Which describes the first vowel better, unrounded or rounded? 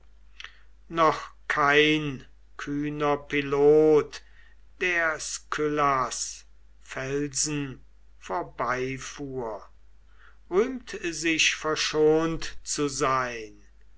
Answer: rounded